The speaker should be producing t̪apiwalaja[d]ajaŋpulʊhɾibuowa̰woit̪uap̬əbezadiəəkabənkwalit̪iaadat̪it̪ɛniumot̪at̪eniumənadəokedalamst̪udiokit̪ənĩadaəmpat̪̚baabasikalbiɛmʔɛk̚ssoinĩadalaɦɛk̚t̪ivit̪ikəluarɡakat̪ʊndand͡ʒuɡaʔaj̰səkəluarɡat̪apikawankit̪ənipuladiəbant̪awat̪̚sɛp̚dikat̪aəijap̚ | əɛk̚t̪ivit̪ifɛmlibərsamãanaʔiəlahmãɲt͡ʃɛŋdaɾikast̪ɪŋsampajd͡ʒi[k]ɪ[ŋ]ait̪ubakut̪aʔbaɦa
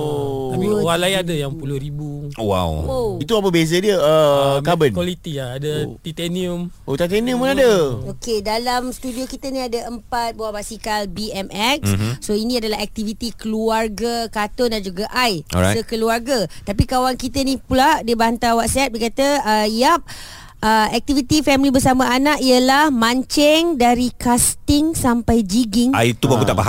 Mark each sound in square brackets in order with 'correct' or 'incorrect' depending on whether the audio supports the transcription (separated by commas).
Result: correct, incorrect, correct